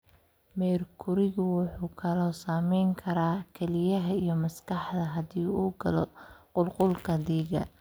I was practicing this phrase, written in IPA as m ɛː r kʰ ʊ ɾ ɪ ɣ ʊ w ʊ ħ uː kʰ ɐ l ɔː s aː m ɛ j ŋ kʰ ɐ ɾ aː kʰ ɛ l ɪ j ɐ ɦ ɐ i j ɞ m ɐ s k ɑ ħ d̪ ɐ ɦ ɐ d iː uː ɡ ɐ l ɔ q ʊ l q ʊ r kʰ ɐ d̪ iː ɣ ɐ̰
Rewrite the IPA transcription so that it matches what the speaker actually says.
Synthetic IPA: m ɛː r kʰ ʊ ɾ ɪ ɣ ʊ w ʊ ħ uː kʰ ɐ l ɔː s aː m ɛ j ŋ kʰ ɐ ɾ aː kʰ ɛ l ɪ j ɐ ɦ ɐ i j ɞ m ɐ s k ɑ ħ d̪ ɐ ɦ ɐ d iː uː ɡ ɐ l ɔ q ʊ l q ʊ l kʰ ɐ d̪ iː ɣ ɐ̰